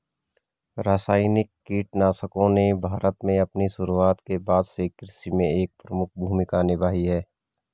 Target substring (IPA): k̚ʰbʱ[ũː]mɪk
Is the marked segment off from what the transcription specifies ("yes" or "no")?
yes